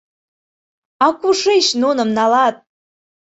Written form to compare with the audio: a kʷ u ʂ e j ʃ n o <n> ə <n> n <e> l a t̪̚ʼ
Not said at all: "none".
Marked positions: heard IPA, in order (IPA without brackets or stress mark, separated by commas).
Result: n, m, a